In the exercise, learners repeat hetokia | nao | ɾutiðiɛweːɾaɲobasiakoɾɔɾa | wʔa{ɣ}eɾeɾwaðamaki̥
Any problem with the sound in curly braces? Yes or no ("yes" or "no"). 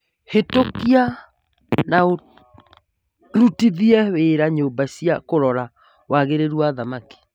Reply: no